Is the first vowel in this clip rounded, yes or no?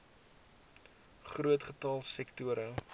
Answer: yes